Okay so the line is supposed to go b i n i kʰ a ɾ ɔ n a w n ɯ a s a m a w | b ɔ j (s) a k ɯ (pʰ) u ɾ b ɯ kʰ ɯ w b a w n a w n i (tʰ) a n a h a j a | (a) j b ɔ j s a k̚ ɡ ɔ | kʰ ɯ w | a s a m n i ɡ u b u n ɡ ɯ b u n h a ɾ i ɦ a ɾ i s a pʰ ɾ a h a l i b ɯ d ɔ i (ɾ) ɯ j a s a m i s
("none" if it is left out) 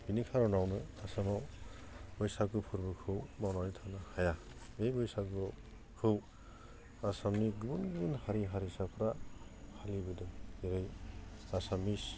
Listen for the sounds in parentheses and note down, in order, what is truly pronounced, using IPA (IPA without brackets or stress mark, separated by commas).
s, pʰ, tʰ, e, ɾ